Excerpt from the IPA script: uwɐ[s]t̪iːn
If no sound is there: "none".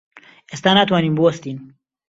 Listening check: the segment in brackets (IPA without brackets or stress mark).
s